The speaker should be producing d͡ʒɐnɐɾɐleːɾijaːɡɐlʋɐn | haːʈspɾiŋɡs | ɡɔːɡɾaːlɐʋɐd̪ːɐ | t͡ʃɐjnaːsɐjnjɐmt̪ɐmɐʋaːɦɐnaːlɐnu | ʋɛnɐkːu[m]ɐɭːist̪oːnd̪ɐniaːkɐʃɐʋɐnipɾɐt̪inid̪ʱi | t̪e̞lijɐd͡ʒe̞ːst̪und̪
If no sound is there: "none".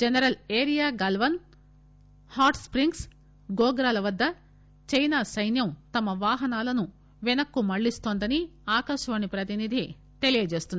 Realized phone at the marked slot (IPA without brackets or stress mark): m